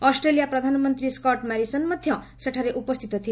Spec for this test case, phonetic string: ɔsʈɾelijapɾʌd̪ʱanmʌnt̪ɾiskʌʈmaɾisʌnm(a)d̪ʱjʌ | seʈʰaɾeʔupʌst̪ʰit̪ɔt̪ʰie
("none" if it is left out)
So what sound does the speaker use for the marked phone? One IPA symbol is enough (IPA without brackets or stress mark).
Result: ʌ